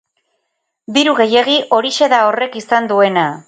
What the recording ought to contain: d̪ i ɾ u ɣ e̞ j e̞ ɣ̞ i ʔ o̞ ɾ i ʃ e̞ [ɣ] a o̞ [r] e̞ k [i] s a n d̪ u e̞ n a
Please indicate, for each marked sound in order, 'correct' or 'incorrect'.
incorrect, correct, correct

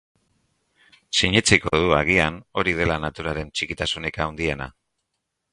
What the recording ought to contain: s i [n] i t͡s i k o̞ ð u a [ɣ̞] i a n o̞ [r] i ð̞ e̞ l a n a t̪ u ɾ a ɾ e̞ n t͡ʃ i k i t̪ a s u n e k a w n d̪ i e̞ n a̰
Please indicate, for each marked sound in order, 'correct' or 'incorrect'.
incorrect, correct, incorrect

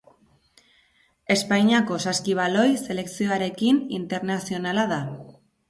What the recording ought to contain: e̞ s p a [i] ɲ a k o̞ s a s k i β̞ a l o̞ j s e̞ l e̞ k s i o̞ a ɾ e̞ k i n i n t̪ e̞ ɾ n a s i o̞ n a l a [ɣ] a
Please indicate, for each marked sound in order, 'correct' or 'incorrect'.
incorrect, incorrect

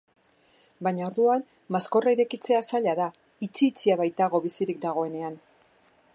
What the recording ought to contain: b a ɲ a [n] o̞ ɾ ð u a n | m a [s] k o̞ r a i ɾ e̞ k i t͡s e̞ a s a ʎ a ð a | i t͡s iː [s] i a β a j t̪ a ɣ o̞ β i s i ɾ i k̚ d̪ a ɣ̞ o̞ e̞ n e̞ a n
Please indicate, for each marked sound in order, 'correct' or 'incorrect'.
incorrect, correct, incorrect

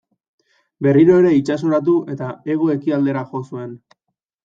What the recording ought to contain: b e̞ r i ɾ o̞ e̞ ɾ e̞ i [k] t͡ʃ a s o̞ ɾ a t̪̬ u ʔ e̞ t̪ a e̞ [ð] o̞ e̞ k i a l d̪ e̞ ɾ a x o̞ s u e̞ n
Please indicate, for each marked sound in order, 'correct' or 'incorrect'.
incorrect, incorrect

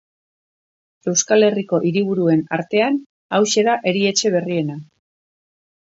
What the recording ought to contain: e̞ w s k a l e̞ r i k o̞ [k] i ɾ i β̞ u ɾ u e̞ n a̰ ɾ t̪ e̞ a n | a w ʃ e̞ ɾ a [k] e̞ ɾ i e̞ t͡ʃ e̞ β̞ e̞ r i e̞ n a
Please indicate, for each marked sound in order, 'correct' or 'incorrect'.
incorrect, incorrect

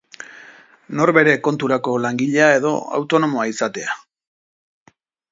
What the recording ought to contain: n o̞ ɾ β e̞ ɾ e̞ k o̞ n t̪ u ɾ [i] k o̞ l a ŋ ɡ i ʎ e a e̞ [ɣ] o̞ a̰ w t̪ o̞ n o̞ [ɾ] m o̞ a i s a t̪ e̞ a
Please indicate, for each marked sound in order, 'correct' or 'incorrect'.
incorrect, incorrect, incorrect

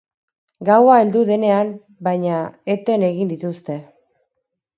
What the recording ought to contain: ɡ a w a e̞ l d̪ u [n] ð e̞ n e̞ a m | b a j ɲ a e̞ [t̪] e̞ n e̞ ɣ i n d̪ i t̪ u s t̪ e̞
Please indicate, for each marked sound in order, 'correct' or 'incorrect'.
incorrect, correct

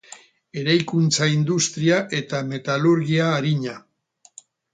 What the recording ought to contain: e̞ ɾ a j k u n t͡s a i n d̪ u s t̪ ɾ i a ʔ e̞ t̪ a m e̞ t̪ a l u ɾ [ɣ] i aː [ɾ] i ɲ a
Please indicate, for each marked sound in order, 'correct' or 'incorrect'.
correct, correct

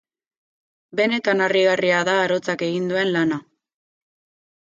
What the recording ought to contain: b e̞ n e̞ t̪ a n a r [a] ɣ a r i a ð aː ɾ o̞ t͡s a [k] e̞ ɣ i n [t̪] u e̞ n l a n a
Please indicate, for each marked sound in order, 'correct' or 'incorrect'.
incorrect, correct, incorrect

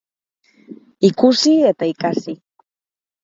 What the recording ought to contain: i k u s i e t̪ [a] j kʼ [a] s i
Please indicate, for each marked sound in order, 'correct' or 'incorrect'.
correct, correct

